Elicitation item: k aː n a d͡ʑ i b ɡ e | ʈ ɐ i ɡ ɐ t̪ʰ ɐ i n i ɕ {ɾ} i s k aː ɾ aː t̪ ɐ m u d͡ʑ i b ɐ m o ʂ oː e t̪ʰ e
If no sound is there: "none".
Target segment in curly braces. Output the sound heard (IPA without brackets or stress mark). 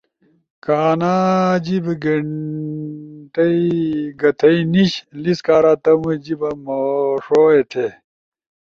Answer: l